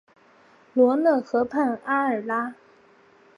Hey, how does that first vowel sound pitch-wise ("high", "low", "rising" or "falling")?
rising